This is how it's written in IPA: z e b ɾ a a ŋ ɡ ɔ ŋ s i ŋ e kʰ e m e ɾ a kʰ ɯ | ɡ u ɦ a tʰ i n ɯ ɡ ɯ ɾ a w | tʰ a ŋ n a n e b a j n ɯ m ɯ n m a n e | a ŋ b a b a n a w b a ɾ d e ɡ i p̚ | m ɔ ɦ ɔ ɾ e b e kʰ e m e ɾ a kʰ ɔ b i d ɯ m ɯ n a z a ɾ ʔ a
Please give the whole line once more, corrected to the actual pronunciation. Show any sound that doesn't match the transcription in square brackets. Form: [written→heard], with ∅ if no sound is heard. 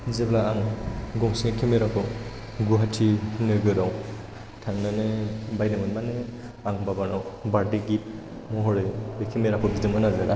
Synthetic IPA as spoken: z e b [ɾ→l] a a ŋ ɡ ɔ ŋ s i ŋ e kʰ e m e ɾ a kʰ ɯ | ɡ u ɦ a tʰ i n ɯ ɡ ɯ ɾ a w | tʰ a ŋ n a n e b a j n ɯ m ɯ n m a n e | a ŋ b a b a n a w b a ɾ d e ɡ i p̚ | m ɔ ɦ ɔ ɾ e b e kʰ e m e ɾ a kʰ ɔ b i d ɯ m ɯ n a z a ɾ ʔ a

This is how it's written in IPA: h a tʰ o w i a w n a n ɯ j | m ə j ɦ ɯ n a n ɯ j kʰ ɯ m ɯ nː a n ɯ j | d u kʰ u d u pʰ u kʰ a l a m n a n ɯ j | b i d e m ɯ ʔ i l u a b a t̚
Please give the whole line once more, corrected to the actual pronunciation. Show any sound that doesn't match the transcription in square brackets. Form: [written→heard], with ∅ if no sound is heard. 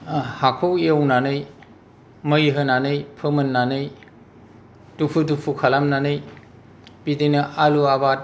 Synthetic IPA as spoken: h a [tʰ→kʰ] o w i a w n a n ɯ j | m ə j ɦ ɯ n a n ɯ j [kʰ→pʰ] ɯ m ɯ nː a n ɯ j | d u [kʰ→pʰ] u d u pʰ u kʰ a l a m n a n ɯ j | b i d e [m→n] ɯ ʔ [i→a] l u a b a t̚

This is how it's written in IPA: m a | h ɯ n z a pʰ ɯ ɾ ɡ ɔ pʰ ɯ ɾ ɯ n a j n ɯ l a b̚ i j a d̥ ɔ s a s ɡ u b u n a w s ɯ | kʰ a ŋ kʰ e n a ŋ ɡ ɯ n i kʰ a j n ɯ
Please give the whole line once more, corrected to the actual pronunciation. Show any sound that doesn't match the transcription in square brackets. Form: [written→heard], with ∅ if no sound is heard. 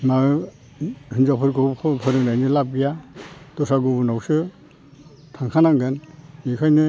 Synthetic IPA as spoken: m a | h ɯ n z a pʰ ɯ ɾ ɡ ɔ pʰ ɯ ɾ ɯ n a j n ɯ l a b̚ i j a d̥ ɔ s a [s→∅] ɡ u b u n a w s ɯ | [kʰ→tʰ] a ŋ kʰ [e→a] n a ŋ ɡ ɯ n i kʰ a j n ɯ

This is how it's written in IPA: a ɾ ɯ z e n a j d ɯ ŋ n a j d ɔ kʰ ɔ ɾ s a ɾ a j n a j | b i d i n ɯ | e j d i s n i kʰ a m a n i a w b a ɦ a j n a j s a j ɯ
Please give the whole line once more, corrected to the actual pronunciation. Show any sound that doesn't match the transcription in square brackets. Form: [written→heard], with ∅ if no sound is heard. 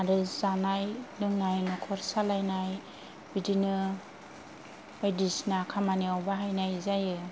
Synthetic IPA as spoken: a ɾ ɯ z [e→a] n a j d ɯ ŋ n a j [d→n] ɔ kʰ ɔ ɾ s a [ɾ→l] a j n a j | b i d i n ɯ | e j d i s n [i→a] kʰ a m a n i a w b a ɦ a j n a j [s→z] a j ɯ

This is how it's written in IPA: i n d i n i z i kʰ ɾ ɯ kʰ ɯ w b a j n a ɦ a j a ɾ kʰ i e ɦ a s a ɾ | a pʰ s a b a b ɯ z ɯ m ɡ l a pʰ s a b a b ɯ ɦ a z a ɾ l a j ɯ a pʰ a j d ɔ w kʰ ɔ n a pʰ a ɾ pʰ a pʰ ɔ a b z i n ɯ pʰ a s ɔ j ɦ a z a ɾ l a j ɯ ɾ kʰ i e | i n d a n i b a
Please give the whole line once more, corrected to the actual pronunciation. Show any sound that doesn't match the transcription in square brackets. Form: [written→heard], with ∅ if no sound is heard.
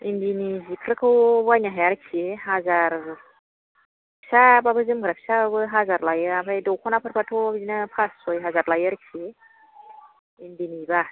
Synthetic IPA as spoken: i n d i n i z i kʰ ɾ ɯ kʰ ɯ w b a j n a ɦ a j a ɾ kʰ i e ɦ a [s→z] a ɾ | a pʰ s a b a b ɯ z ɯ m ɡ [l→ɾ] a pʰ s a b a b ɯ ɦ a z a ɾ l a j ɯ a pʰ a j d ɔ w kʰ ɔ n a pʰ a ɾ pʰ a [pʰ→tʰ] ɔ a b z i n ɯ pʰ a s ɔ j ɦ a z a ɾ l a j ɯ ɾ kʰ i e | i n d [a→i] n i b a

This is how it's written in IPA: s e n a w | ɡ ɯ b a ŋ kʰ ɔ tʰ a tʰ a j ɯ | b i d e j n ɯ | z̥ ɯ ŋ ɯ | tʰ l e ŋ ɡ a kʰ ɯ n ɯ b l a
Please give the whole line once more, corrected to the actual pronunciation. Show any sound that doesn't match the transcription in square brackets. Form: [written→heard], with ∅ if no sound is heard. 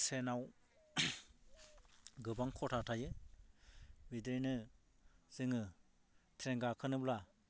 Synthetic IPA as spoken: s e n a w | ɡ ɯ b a ŋ kʰ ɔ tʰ a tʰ a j ɯ | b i d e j n ɯ | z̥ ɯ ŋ ɯ | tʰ [l→ɾ] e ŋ ɡ a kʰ ɯ n ɯ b l a

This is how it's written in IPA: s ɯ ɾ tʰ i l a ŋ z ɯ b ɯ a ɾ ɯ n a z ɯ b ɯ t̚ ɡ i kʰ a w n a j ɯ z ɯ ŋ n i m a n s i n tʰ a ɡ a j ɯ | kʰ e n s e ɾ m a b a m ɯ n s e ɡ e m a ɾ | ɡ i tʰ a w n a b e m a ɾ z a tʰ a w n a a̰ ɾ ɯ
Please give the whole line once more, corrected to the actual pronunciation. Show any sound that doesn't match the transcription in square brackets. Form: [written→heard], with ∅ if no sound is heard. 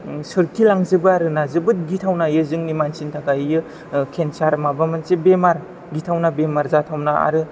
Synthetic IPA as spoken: s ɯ ɾ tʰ i l a ŋ z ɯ b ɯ a ɾ ɯ n a z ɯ b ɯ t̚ ɡ i [kʰ→tʰ] a w n a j ɯ z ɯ ŋ n i m a n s i n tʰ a ɡ a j ɯ | kʰ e n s [e→a] ɾ m a b a m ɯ n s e [ɡ→b] e m a ɾ | ɡ i tʰ a w n a b e m a ɾ z a tʰ a w n a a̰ ɾ ɯ

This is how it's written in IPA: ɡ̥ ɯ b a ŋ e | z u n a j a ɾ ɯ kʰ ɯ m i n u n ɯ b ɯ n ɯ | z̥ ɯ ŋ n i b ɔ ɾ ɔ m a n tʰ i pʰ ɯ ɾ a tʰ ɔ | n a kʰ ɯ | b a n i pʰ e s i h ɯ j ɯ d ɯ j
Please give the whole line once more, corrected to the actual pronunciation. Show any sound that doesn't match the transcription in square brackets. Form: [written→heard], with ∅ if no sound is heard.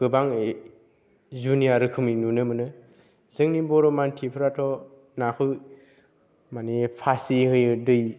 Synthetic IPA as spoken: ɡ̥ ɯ b a ŋ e | z u n [a→i] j a ɾ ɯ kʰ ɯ m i n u n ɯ [b→m] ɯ n ɯ | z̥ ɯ ŋ n i b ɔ ɾ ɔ m a n tʰ i pʰ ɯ ɾ a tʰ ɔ | n a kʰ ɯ | [b→m] a n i pʰ [e→a] s i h ɯ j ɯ d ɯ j

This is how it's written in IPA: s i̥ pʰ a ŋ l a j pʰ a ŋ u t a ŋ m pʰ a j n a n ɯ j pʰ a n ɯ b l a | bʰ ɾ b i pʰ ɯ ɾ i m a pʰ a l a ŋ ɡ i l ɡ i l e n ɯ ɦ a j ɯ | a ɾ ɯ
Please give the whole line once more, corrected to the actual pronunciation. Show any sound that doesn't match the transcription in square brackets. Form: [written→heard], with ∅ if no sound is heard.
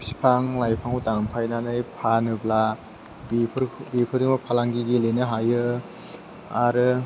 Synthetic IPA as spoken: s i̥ pʰ a ŋ l a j pʰ a ŋ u t a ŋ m pʰ a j n a n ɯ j pʰ a n ɯ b l a | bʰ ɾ b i pʰ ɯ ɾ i m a pʰ a l a ŋ ɡ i [l→∅] ɡ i l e n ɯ ɦ a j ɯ | a ɾ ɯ

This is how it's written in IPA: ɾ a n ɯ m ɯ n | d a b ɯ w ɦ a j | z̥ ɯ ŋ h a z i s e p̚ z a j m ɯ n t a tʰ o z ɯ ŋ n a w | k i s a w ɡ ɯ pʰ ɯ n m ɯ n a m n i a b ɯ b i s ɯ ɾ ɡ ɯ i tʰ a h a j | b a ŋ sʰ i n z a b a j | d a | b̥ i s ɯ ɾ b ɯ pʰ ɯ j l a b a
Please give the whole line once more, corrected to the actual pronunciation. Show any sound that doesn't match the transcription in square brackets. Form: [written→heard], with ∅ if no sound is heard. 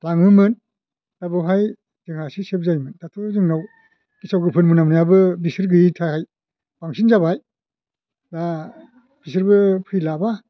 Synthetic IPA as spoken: [ɾ→l] a [n→ŋ] ɯ m ɯ n | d a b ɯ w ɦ a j | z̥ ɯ ŋ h a [z→s] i s e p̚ z a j m ɯ n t a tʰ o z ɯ ŋ n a w | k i s a w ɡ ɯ pʰ ɯ n m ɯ n a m n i a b ɯ b i s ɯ ɾ ɡ ɯ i tʰ a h a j | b a ŋ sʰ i n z a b a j | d a | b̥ i s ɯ ɾ b ɯ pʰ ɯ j l a b a

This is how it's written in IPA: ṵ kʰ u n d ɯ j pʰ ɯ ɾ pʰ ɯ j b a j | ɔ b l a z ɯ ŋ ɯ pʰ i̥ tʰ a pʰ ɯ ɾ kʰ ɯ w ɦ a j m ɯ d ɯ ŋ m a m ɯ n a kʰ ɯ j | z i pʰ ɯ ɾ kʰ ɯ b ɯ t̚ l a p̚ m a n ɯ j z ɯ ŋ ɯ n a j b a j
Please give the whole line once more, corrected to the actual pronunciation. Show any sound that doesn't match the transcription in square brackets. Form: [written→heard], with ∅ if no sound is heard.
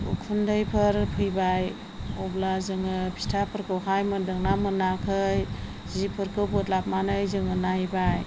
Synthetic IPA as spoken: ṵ kʰ u n d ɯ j pʰ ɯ ɾ pʰ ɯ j b a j | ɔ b l a z ɯ ŋ ɯ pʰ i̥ tʰ a pʰ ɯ ɾ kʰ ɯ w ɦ a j m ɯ d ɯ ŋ [m→n] a m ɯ n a kʰ ɯ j | z i pʰ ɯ ɾ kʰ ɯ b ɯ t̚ l a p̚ m a n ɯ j z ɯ ŋ ɯ n a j b a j

